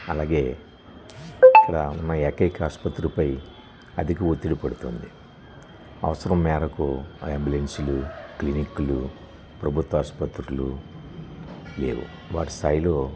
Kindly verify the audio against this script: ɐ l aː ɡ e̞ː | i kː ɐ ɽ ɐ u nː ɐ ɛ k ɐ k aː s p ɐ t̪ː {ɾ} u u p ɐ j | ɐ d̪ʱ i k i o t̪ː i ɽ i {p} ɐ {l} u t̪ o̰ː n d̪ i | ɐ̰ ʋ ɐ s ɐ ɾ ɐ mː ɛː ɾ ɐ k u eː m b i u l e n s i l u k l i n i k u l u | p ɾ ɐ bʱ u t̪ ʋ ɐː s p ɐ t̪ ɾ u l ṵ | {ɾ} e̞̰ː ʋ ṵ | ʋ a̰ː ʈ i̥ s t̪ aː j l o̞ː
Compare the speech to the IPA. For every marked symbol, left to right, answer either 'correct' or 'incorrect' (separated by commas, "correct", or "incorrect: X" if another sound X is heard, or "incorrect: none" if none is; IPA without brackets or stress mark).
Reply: correct, correct, incorrect: ɽ, incorrect: l